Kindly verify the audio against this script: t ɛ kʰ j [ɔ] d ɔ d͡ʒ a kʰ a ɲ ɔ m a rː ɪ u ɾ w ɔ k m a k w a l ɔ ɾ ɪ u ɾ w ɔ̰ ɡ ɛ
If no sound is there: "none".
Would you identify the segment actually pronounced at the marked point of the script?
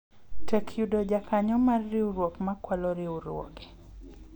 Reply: u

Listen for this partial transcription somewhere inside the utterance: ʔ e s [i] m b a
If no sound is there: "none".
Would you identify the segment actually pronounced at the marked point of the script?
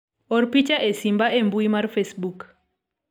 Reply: i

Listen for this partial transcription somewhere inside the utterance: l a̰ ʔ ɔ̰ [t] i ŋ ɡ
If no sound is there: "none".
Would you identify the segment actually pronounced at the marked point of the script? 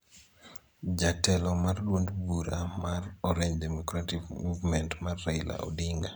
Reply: d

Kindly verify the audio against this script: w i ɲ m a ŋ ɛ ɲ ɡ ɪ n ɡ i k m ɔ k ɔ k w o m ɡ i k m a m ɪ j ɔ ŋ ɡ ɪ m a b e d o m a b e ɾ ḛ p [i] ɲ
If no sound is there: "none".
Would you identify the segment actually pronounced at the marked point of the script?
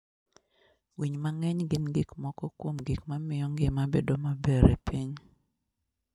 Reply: i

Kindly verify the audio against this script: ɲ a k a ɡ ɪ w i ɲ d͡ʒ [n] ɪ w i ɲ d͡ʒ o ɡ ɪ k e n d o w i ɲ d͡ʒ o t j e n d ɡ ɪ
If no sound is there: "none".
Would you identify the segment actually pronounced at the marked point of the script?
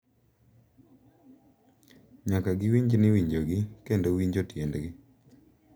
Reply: n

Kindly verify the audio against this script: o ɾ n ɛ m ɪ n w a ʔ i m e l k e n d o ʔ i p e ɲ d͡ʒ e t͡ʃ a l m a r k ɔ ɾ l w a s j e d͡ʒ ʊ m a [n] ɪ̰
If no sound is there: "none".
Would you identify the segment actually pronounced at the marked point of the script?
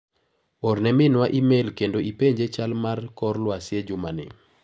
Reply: n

